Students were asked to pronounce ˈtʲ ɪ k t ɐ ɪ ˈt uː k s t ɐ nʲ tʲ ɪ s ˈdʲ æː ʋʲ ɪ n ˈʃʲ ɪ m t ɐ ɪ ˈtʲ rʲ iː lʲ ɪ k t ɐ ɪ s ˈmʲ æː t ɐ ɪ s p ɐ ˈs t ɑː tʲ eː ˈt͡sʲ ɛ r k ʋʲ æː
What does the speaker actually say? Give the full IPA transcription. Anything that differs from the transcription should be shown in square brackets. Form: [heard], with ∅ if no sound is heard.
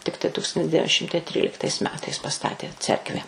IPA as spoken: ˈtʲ ɪ k t ɐ ɪ ˈt uː k s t ɐ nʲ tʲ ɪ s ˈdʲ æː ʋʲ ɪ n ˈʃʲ ɪ m t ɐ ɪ ˈtʲ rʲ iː lʲ ɪ k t ɐ ɪ s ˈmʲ æː t ɐ ɪ s p ɐ ˈs t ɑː tʲ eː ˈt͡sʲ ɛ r k ʋʲ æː